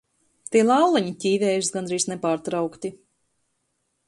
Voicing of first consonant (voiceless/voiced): voiceless